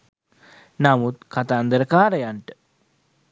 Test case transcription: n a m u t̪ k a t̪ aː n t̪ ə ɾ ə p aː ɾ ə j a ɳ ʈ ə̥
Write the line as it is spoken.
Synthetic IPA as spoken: n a m u t̪ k a t̪ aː n d̪ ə ɾ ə k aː ɾ ə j a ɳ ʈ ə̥